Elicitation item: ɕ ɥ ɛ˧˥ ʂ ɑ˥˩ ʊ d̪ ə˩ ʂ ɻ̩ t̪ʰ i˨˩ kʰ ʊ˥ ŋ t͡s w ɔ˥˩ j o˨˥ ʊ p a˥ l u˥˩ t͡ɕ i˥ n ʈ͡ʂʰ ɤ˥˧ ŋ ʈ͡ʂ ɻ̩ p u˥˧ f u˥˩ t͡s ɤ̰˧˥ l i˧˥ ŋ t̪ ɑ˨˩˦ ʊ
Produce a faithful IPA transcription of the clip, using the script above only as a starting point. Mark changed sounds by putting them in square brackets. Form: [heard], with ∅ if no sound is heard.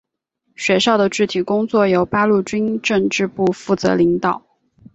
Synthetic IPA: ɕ ɥ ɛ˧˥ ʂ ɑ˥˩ ʊ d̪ ə˩ [ʈ͡ʂ] ɻ̩ t̪ʰ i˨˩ [k] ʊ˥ ŋ t͡s w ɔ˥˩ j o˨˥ ʊ p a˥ l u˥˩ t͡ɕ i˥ n [ʈ͡ʂ] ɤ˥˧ ŋ ʈ͡ʂ ɻ̩ p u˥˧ f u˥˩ t͡s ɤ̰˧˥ l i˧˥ ŋ t̪ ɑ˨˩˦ ʊ